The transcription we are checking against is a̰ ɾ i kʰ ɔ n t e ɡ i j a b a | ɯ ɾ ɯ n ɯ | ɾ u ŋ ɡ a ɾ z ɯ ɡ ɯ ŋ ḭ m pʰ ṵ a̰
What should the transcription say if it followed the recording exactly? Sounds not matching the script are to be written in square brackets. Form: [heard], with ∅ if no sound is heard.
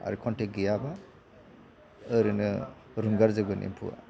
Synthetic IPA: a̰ ɾ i kʰ ɔ n t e ɡ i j a b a | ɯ ɾ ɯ n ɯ | ɾ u ŋ ɡ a ɾ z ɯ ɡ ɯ [n] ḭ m pʰ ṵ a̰